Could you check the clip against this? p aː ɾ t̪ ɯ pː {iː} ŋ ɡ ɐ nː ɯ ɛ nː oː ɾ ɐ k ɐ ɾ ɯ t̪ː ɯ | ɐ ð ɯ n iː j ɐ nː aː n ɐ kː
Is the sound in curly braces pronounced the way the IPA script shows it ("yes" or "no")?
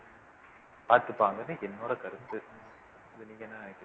no